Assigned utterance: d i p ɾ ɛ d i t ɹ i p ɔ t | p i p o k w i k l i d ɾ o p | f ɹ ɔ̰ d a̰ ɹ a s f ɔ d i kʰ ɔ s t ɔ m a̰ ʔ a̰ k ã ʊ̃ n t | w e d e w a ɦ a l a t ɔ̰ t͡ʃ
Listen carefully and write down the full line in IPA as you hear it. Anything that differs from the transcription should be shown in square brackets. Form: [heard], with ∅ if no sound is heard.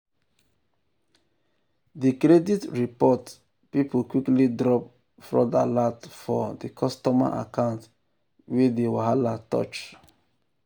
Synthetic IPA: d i [k] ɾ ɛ d i t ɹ i p ɔ t | p i p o k w i k l i d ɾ [ɔ] p | f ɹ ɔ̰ d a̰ [l] a [t] f ɔ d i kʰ ɔ s t ɔ m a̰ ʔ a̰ k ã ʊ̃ n t | w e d e w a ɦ a l a t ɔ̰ t͡ʃ